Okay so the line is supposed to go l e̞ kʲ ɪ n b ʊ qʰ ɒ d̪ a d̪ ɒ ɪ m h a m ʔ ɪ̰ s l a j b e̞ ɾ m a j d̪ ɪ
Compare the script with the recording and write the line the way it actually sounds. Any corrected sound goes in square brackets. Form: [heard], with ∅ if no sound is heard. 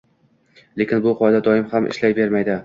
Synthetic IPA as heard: l e̞ kʲ ɪ n b ʊ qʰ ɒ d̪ a d̪ ɒ ɪ m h a m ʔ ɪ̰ [ʃ] l a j b e̞ ɾ m a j d̪ ɪ